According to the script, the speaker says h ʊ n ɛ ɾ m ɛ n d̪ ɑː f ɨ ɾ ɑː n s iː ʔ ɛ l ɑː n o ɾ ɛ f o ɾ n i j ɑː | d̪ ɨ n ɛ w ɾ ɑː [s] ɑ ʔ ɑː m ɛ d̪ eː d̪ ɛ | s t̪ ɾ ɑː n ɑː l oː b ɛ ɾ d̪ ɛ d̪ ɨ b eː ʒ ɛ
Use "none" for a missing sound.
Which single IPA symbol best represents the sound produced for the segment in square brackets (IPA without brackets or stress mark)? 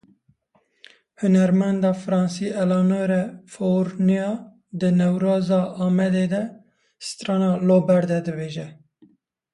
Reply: z